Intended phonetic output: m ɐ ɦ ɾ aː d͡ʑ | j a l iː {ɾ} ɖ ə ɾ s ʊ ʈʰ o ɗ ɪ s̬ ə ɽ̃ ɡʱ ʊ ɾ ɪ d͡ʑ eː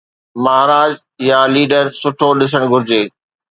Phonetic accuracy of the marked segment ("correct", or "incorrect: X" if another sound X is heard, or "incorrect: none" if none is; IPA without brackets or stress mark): incorrect: none